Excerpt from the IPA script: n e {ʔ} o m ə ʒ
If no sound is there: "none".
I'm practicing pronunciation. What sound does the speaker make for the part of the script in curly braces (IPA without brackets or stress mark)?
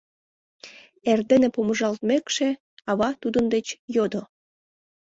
p